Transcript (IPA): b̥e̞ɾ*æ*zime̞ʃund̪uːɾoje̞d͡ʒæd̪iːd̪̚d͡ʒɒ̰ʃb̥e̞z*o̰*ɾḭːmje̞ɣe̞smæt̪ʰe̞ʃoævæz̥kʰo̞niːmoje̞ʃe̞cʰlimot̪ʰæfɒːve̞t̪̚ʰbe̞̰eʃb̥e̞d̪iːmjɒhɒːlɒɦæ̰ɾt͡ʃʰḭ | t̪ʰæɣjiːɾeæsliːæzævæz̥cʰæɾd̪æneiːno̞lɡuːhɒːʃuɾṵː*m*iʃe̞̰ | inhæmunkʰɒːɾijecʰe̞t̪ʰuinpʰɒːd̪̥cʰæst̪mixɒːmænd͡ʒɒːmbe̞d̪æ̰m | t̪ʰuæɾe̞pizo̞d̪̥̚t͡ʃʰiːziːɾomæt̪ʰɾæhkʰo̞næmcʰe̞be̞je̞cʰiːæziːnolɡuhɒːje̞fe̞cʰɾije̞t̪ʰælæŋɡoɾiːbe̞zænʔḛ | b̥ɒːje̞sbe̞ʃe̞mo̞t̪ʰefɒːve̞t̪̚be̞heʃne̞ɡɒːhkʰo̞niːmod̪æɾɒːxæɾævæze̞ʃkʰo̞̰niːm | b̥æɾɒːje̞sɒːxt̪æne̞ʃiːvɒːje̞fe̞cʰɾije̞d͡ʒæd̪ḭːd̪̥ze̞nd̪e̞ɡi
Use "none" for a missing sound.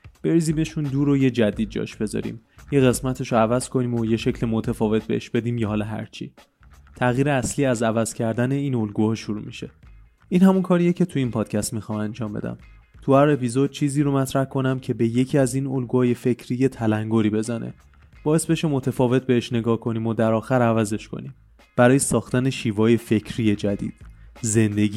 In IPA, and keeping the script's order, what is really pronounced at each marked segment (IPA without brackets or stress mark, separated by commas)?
i, ɒ̰, m